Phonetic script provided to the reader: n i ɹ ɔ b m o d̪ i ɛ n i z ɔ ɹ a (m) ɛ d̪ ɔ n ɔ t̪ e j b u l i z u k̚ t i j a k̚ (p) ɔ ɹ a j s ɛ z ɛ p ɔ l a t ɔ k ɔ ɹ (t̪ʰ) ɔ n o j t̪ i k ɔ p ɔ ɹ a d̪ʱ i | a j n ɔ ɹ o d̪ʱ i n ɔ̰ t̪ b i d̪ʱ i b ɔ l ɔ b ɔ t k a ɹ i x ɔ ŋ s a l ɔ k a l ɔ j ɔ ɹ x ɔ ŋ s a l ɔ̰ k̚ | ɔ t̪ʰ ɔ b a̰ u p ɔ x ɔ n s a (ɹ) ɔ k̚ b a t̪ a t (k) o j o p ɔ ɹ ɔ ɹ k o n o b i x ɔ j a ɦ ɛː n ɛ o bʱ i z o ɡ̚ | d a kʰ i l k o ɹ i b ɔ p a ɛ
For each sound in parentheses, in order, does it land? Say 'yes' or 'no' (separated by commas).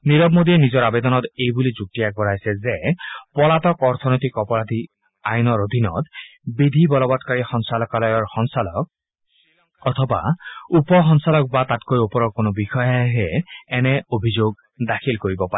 no, no, yes, no, yes